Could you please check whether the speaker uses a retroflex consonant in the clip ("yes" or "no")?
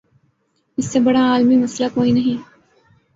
yes